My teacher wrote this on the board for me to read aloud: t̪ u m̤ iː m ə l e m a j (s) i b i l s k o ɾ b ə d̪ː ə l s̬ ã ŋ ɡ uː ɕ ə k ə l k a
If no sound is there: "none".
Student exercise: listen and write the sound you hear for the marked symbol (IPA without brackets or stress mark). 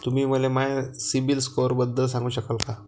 s